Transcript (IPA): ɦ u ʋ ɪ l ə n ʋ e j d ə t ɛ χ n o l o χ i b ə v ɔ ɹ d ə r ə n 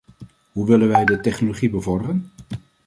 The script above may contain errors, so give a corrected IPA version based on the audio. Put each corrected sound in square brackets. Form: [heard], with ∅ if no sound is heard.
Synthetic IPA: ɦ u ʋ ɪ l ə n ʋ [ɛ] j d ə t ɛ χ n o l o χ i b ə v ɔ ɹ d ə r ə n